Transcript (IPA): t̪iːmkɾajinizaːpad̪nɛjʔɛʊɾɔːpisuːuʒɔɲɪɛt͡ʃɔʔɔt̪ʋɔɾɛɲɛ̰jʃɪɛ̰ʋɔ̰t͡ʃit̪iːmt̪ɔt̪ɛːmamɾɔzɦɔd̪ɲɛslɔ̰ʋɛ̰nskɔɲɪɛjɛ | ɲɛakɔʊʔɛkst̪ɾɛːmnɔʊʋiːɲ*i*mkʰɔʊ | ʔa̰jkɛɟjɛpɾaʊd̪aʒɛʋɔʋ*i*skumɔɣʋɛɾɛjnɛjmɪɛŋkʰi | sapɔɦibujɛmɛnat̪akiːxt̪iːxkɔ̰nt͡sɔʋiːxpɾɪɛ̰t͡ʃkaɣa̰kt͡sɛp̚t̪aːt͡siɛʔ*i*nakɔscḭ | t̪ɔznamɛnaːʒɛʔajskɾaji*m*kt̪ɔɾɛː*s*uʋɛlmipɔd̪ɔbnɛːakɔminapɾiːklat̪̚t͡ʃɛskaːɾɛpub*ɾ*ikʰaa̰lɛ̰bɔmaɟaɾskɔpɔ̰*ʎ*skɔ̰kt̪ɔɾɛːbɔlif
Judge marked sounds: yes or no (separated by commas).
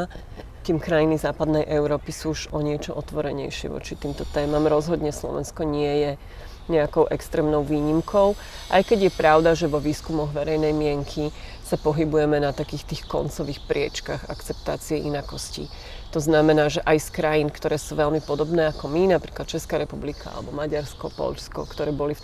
yes, no, yes, no, yes, no, yes